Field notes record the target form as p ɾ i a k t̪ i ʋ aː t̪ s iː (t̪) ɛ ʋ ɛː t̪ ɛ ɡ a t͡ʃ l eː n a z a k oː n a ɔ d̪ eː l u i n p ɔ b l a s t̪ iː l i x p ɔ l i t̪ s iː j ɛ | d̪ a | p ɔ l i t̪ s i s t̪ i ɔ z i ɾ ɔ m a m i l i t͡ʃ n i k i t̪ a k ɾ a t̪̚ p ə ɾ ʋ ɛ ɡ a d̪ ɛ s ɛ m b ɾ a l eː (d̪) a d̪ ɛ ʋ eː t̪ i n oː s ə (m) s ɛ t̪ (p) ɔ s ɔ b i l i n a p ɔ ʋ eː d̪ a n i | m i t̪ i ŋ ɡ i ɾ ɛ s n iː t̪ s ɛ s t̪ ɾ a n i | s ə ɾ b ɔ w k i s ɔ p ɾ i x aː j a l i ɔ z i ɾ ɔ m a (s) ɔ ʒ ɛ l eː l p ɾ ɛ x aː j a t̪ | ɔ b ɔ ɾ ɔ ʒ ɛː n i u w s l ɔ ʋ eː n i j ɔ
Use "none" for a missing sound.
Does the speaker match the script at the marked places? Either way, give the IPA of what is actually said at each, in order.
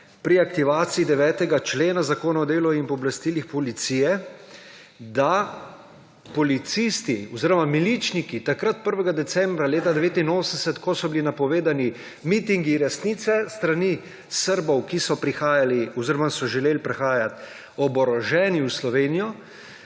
d̪, t̪, n, k, s

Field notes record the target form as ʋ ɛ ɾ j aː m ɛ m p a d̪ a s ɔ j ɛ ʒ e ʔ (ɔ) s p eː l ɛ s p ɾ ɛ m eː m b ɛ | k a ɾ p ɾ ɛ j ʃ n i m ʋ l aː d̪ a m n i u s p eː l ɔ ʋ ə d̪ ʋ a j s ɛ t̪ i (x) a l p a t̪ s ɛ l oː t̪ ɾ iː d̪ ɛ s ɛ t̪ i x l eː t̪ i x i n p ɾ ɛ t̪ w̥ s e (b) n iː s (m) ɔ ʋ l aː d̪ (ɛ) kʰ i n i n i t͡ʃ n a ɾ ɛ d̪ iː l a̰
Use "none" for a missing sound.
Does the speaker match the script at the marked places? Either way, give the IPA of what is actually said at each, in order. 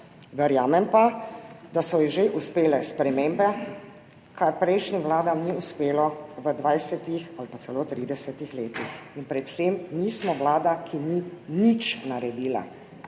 u, x, m, m, a

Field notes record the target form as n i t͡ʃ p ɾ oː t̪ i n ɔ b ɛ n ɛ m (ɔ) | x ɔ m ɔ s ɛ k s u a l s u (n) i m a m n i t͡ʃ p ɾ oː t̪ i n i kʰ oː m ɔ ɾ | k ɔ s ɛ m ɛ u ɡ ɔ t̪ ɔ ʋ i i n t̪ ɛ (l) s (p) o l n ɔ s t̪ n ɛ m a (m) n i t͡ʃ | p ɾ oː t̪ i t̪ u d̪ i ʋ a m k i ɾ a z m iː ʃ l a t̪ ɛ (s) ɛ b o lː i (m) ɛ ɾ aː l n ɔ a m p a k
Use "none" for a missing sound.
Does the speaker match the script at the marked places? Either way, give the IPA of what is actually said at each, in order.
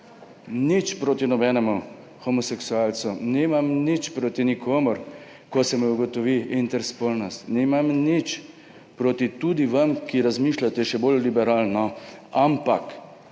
u, n, ɾ, p, m, ʃ, b

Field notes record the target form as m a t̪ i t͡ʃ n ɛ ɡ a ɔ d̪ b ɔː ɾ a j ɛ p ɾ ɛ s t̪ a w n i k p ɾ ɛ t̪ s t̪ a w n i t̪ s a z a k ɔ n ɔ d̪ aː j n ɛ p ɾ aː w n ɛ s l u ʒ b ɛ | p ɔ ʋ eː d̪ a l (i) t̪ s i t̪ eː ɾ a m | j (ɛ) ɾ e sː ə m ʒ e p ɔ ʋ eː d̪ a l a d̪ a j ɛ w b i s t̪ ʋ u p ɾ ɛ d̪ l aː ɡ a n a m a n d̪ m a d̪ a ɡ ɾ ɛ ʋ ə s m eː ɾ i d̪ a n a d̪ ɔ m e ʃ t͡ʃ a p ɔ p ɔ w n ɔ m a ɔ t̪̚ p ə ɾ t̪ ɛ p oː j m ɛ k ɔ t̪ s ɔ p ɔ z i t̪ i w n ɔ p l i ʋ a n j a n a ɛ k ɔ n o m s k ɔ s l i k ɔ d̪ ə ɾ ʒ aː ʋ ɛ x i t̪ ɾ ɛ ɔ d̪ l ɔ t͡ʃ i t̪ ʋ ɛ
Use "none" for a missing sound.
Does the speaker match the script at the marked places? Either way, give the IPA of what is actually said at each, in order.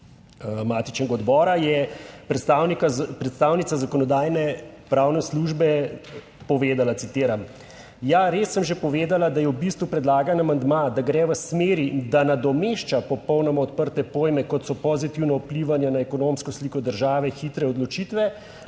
a, a

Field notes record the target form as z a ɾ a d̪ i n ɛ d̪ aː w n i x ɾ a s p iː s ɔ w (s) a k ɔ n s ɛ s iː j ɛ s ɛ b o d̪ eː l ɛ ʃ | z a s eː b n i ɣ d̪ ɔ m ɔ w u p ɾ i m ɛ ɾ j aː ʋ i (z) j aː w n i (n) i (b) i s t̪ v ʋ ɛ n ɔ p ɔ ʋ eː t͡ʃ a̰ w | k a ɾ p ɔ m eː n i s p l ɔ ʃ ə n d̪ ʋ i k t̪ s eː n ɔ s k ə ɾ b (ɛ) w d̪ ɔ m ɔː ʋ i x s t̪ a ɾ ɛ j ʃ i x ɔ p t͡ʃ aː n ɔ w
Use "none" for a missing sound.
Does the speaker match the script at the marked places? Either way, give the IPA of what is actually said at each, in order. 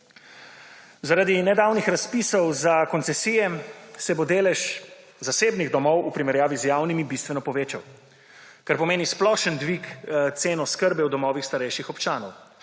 z, z, m, b, ɛ

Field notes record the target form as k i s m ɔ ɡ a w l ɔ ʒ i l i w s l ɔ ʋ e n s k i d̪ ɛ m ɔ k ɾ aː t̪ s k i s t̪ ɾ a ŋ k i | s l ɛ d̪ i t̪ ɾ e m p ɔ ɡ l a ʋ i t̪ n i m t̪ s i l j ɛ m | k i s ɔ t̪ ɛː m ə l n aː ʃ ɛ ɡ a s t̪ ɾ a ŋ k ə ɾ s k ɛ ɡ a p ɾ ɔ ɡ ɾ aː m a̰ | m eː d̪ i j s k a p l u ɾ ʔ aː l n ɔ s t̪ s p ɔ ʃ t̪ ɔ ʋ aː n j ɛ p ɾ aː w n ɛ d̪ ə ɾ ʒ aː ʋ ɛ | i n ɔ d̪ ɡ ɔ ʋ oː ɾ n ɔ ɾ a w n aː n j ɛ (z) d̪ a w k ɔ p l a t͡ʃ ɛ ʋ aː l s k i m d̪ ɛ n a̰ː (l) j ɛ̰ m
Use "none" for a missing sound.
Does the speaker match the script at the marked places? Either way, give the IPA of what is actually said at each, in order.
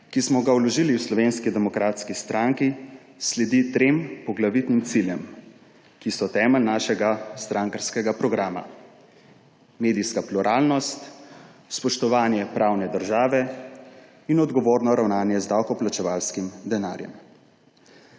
z, ɾ

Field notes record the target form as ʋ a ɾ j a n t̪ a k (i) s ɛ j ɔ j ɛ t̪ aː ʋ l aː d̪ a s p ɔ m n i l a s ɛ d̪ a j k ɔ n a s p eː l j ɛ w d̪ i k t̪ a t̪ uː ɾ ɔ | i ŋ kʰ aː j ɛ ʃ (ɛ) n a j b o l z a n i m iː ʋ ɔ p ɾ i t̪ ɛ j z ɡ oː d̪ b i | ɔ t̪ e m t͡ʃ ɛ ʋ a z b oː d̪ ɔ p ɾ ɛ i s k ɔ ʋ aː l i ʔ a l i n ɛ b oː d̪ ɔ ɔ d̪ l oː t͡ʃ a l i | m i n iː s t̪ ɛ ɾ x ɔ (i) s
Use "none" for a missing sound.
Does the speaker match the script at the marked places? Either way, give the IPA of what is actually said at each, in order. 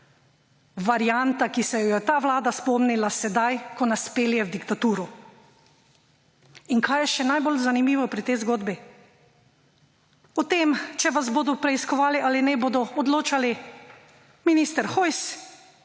i, ɛ, j

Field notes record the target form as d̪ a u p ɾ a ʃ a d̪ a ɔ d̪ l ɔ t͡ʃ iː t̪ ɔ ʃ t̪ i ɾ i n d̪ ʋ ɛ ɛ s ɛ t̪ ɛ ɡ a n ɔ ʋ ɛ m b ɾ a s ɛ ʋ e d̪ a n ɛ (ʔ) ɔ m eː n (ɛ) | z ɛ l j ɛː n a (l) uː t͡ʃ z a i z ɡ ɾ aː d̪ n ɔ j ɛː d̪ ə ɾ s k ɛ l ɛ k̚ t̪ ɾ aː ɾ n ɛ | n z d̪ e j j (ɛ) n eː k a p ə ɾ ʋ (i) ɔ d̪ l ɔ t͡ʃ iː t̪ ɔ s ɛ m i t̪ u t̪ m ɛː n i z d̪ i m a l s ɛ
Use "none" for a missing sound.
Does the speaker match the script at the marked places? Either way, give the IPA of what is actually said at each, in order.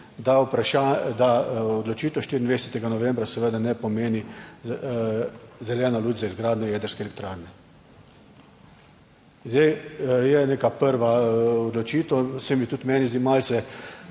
p, i, l, ɛ, a

